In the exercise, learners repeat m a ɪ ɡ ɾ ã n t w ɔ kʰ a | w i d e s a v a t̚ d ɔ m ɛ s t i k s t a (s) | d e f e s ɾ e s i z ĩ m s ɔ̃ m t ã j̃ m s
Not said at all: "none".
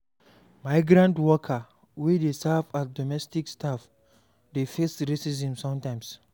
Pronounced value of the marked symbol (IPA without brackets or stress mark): f